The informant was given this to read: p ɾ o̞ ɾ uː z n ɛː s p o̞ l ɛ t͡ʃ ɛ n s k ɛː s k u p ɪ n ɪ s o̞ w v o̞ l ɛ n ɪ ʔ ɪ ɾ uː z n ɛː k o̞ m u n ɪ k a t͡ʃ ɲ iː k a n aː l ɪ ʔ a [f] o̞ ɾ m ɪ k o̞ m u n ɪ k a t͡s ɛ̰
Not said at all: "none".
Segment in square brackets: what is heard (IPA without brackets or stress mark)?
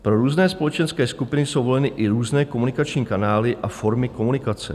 f